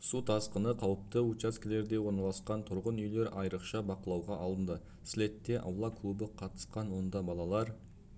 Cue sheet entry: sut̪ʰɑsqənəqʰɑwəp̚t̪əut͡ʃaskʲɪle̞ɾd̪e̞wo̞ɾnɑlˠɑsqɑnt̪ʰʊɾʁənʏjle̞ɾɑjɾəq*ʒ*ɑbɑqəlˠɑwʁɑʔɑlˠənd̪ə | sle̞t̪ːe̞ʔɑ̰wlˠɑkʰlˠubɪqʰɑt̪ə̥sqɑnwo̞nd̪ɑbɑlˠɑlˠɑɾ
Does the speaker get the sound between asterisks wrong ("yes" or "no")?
yes